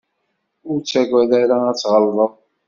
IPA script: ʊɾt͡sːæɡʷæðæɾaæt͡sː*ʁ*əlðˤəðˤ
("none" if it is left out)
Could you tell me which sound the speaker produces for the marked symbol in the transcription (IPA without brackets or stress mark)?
ʁ